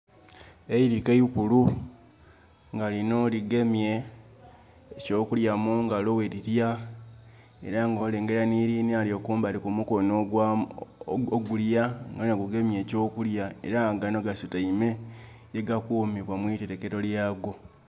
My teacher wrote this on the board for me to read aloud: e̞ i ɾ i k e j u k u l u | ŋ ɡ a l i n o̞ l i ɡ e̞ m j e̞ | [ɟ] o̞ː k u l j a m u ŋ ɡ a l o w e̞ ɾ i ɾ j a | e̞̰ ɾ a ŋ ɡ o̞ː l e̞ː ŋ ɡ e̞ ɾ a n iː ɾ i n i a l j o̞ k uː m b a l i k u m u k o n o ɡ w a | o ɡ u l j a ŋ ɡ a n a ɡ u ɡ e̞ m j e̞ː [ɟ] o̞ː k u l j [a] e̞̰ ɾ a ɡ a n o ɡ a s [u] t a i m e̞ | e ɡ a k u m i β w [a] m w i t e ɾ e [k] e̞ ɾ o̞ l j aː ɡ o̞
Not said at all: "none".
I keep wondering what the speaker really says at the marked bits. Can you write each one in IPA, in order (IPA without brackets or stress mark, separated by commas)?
c, c, a, u, a, k